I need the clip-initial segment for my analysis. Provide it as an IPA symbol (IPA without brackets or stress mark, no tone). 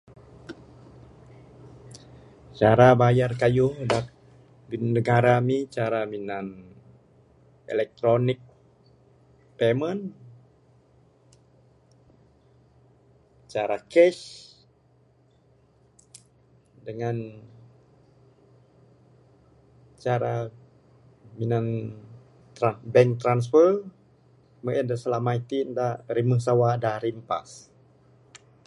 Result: t͡ʃ